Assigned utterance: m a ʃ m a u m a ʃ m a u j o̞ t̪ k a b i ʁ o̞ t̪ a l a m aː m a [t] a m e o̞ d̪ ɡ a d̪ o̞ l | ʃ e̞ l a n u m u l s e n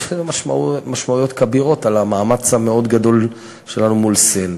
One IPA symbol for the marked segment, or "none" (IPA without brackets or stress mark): t͡s